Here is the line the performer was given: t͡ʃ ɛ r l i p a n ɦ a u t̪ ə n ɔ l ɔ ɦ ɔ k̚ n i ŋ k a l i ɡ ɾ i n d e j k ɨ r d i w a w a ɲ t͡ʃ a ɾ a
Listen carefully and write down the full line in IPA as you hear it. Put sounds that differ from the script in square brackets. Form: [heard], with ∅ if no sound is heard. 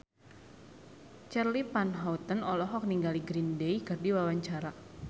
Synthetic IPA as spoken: t͡ʃ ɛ r l i p a n ɦ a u t̪ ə n ɔ l ɔ ɦ ɔ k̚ n i ŋ [ɡ] a l i ɡ ɾ i n d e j k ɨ r d i w a w a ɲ t͡ʃ a ɾ a